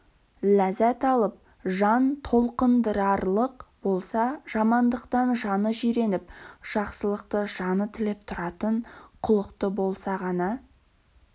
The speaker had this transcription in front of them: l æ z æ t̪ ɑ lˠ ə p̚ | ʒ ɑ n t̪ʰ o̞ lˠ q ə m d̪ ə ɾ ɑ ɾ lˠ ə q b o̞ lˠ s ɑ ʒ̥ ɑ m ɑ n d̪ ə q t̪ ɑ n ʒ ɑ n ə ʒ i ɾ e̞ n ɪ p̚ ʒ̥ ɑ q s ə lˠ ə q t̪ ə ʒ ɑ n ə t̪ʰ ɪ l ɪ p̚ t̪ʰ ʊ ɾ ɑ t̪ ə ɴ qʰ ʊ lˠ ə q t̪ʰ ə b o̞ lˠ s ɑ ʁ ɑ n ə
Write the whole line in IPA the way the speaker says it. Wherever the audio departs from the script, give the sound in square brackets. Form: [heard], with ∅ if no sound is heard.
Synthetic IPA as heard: l æ z æ t̪ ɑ lˠ ə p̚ | ʒ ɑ n t̪ʰ o̞ lˠ q ə [n] d̪ ə ɾ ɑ ɾ lˠ ə q b o̞ lˠ s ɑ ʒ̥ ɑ m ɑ n d̪ ə q t̪ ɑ n ʒ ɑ n ə ʒ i ɾ e̞ n ɪ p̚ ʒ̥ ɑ q s ə lˠ ə q t̪ ə ʒ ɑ n ə t̪ʰ ɪ l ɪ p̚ t̪ʰ ʊ ɾ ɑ t̪ ə ɴ qʰ ʊ lˠ ə q [t̪] ə b o̞ lˠ s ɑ ʁ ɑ n [ɑ]